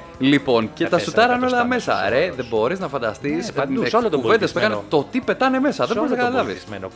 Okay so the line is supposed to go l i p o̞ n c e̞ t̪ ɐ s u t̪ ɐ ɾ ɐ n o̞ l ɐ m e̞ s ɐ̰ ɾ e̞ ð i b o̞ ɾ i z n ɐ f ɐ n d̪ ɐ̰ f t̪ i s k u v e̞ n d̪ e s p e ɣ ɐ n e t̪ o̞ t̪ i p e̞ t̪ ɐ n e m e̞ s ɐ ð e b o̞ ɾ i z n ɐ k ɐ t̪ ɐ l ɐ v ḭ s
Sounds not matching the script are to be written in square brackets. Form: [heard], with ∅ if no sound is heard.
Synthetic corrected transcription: l i p o̞ n c e̞ t̪ ɐ s u t̪ ɐ ɾ ɐ n o̞ l ɐ m e̞ s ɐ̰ ɾ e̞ ð [e] b o̞ ɾ i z n ɐ f ɐ n d̪ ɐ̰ [s] t̪ i s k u v e̞ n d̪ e s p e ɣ ɐ n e t̪ o̞ t̪ i p e̞ t̪ ɐ n e m e̞ s ɐ ð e b o̞ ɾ i z n ɐ k ɐ t̪ ɐ l ɐ v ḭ s